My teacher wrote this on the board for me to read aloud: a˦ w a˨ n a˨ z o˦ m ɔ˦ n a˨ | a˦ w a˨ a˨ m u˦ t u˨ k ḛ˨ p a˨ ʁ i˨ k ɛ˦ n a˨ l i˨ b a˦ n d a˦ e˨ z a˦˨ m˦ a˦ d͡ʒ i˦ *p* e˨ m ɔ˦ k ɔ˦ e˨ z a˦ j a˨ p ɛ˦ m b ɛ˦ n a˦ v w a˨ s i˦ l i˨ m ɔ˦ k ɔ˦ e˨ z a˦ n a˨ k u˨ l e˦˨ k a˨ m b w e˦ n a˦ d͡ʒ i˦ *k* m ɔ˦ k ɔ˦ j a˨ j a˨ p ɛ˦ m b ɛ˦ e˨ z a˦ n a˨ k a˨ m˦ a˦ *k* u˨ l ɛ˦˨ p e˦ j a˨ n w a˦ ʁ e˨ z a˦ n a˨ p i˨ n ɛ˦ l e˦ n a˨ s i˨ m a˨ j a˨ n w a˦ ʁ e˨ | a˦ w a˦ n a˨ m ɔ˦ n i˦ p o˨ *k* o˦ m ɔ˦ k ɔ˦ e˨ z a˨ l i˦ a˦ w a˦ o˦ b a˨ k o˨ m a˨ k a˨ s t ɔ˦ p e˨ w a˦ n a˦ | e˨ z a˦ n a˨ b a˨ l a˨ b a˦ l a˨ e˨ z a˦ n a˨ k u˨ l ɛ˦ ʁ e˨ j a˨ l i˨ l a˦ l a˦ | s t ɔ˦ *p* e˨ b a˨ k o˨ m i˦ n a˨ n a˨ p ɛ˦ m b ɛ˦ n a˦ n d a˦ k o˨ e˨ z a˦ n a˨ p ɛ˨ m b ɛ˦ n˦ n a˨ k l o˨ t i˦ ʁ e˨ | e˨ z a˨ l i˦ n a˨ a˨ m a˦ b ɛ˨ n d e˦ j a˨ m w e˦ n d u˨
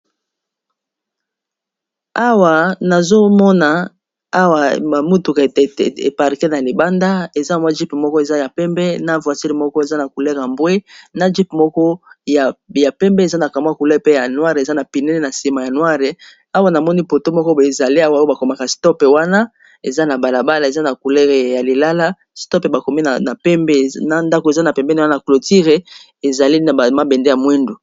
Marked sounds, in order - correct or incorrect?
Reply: correct, incorrect, correct, incorrect, correct

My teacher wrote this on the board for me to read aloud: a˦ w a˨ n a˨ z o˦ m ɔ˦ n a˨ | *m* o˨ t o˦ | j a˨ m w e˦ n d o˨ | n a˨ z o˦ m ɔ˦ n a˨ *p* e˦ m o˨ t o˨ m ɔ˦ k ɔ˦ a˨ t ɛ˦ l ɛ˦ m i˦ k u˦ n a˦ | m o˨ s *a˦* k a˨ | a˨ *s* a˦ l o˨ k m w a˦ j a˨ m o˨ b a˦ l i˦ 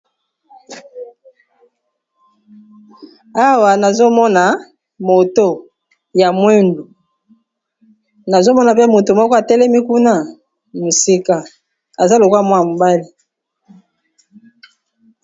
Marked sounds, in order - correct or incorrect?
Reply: correct, correct, incorrect, incorrect

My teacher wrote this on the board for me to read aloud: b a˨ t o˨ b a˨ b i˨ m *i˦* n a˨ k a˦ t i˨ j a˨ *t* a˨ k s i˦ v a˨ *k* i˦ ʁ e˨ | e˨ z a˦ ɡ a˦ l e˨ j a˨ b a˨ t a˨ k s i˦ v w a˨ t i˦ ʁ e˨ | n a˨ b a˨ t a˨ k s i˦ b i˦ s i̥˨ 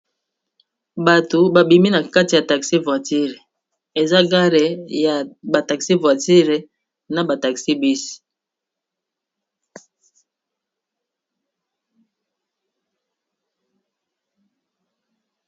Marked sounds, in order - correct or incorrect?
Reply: correct, correct, incorrect

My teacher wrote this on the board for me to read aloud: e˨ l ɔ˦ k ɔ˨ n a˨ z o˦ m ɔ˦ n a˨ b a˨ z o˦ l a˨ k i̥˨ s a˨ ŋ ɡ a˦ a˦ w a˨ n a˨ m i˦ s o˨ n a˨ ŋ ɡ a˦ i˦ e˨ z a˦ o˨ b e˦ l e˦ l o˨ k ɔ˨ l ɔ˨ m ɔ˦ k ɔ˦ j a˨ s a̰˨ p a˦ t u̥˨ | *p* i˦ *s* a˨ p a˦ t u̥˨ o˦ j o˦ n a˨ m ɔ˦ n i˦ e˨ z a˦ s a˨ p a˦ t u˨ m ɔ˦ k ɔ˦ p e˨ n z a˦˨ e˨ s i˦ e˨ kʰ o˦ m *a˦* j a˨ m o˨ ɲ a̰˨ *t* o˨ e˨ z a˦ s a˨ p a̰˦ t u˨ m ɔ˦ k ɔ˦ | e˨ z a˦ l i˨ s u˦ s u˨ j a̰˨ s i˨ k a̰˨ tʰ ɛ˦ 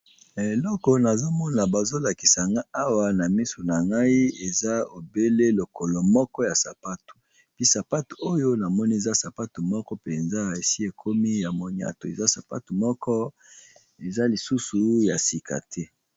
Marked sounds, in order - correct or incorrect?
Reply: correct, correct, incorrect, correct

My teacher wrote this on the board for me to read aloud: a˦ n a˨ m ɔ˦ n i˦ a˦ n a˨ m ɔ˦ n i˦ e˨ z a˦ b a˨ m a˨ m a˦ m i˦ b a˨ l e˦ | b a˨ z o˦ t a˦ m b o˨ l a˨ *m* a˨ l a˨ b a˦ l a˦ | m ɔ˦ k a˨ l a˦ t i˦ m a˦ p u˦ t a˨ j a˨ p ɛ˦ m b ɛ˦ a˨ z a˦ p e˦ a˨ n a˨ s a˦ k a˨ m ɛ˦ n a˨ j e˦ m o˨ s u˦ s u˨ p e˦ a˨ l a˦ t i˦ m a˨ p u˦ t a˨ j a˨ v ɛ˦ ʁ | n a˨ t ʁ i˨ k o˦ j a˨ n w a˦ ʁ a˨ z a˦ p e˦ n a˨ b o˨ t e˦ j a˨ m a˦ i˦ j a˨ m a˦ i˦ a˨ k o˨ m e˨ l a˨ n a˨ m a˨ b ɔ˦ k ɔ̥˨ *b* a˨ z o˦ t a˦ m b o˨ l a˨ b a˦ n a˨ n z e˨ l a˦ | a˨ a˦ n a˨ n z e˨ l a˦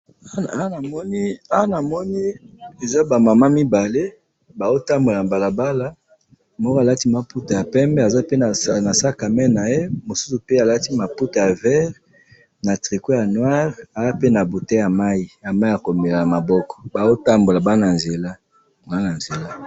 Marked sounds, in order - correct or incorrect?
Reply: incorrect, correct

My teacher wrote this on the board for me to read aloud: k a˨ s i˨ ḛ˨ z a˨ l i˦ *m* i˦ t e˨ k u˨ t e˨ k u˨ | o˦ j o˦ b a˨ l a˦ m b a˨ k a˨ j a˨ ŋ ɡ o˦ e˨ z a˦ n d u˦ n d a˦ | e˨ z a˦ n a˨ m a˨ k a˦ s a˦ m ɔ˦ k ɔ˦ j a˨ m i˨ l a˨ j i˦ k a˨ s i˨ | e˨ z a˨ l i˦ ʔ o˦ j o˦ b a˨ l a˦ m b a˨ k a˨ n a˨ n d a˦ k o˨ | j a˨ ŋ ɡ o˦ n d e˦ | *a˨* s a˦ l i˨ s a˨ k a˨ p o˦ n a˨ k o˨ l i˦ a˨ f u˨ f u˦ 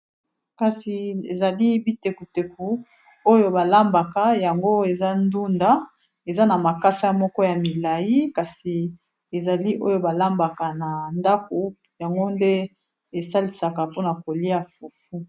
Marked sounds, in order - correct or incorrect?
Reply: incorrect, incorrect

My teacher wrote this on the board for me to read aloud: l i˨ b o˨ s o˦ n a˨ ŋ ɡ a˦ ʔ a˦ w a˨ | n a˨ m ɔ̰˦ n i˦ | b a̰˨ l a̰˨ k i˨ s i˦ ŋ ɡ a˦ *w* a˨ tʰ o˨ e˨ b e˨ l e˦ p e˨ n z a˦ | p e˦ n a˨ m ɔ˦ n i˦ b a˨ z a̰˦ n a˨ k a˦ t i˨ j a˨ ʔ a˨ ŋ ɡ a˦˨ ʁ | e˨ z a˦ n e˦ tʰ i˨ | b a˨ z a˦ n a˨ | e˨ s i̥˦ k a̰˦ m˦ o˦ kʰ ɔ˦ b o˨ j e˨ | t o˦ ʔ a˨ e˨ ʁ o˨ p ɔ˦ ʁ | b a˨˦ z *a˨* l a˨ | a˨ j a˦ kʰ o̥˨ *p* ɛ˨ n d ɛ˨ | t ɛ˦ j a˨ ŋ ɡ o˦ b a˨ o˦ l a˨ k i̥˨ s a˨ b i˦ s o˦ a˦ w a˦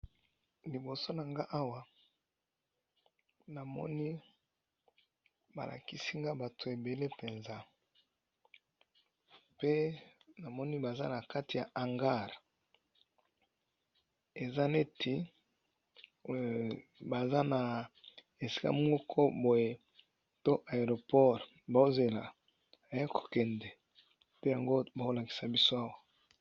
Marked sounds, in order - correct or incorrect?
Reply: incorrect, incorrect, incorrect

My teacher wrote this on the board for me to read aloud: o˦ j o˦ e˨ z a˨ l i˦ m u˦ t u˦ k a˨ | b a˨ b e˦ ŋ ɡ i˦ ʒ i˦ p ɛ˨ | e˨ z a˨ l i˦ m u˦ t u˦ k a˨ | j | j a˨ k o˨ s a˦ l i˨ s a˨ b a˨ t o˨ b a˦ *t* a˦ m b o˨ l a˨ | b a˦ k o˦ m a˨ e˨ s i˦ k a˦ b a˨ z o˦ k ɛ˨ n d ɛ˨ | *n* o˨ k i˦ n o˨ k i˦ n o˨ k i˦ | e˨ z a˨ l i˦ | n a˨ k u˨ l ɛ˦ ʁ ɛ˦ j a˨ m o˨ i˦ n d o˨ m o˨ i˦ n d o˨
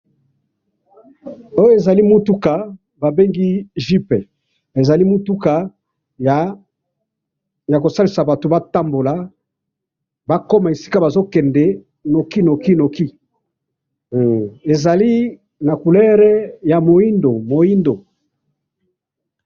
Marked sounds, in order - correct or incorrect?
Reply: correct, correct

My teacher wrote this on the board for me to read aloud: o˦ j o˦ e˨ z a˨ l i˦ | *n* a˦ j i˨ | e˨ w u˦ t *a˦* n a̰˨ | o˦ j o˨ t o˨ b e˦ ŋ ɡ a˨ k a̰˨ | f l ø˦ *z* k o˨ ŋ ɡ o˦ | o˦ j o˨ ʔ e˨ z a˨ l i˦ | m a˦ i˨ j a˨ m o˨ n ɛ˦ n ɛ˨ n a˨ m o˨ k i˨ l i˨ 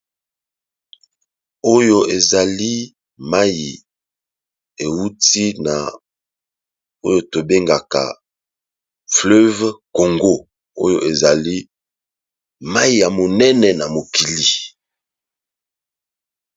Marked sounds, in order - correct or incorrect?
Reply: incorrect, incorrect, incorrect

